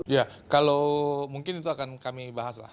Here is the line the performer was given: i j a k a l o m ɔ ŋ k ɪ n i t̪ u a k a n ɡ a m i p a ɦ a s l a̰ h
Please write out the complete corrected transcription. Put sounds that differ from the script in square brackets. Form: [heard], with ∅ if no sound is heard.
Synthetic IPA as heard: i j a k a l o m [u] ŋ k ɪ n i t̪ u a k a n [k] a m i [b] a ɦ a s l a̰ h